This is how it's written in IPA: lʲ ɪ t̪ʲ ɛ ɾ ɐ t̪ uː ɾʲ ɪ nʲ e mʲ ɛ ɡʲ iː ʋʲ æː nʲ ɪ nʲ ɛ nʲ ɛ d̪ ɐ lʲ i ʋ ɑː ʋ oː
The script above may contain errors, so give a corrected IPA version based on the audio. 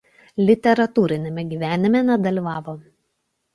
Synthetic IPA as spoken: lʲ ɪ t̪ʲ ɛ ɾ ɐ t̪ uː ɾʲ ɪ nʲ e mʲ ɛ ɡʲ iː ʋʲ æː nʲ ɪ mʲ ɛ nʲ ɛ d̪ ɐ lʲ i ʋ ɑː ʋ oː

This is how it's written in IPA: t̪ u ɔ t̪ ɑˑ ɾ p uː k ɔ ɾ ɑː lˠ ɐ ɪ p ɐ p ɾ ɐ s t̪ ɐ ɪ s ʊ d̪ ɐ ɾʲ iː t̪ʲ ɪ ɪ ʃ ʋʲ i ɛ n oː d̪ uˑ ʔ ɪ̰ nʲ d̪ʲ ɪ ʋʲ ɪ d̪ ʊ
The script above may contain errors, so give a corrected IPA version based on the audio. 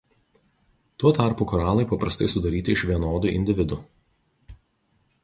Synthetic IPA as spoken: t̪ u ɔ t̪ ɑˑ ɾ p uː k ɔ ɾ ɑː lˠ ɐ ɪ p ɐ p ɾ ɐ s t̪ ɐ ɪ s ʊ d̪ ɐ ɾʲ iː t̪ʲ ɪ ɪ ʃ ʋʲ i ɛ n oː d̪ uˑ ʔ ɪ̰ nʲ d̪ʲ ɪ ʋʲ ɪ d̪ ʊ

